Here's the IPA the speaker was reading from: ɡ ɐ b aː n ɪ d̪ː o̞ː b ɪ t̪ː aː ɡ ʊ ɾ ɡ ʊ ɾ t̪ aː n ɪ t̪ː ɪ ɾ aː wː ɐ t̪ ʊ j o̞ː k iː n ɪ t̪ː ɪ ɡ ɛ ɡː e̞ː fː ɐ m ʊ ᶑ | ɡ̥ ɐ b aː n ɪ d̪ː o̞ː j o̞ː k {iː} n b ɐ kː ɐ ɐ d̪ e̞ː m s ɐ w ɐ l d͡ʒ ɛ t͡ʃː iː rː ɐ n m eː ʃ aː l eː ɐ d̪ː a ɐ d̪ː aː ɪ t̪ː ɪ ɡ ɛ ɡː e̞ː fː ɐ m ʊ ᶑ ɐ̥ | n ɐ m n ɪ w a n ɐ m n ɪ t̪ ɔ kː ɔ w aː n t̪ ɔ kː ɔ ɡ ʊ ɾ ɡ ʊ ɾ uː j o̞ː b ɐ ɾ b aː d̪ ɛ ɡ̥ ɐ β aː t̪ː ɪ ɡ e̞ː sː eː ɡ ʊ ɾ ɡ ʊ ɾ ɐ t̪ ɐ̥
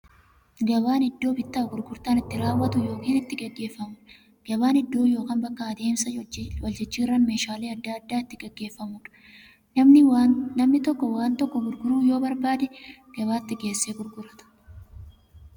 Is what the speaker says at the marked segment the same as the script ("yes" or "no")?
no